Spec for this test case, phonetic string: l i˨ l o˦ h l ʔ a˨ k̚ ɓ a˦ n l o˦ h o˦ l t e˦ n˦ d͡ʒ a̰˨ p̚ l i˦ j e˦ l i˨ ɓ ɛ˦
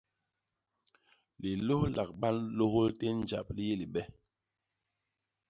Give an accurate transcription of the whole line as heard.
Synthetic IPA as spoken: l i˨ l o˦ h l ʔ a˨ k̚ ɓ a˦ n l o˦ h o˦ l t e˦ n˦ d͡ʒ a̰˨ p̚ l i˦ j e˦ l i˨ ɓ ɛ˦